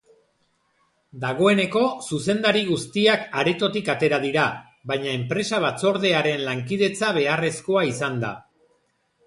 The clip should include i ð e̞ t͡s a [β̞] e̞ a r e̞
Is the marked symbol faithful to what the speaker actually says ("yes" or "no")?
yes